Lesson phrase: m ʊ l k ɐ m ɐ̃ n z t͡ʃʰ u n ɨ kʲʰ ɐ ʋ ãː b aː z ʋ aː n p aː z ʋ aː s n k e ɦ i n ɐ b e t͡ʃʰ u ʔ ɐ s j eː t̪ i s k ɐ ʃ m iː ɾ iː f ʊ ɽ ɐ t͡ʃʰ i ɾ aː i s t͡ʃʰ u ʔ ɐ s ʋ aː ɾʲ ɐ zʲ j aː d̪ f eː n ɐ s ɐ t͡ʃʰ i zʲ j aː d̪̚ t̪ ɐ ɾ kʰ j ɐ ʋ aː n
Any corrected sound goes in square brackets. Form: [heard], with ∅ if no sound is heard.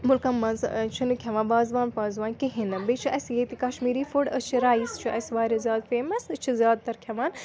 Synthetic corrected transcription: m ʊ l k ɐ m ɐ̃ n z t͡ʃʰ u n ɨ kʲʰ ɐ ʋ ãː b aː z ʋ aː n p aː z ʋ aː [∅] n k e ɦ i n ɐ b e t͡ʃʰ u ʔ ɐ s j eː t̪ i [∅] k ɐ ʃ m iː ɾ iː f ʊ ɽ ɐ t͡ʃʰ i ɾ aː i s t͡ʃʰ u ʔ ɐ s ʋ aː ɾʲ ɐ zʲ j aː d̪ f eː [m] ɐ s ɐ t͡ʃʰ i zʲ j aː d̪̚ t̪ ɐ ɾ kʰ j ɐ ʋ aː n